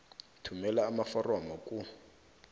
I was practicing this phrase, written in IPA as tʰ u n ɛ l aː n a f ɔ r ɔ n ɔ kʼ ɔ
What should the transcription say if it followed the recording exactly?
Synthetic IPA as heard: tʰ u m ɛ l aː m a f ɔ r ɔ m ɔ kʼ u